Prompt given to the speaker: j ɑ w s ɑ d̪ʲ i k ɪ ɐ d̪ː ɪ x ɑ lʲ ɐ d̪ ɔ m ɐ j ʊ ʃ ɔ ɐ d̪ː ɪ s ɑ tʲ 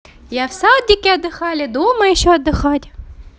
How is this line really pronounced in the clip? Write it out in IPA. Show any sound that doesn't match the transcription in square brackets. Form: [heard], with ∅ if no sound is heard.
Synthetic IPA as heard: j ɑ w s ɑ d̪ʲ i k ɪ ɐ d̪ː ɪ x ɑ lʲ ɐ d̪ [u] m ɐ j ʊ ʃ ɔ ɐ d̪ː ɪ [x] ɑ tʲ